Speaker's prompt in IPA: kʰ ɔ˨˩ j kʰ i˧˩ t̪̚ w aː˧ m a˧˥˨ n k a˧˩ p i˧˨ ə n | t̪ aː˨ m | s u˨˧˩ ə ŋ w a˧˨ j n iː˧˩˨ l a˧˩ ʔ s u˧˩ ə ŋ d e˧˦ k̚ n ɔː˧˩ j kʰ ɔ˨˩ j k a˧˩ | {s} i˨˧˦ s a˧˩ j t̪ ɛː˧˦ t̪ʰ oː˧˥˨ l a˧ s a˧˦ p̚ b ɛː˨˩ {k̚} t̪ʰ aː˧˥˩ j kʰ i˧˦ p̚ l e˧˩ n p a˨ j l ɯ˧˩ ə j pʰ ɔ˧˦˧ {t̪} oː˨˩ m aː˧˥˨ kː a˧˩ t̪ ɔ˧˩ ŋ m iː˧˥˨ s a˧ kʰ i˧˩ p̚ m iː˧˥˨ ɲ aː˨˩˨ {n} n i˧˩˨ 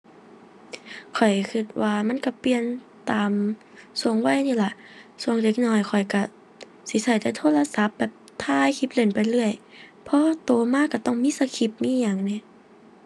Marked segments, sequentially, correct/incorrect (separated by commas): correct, incorrect, correct, incorrect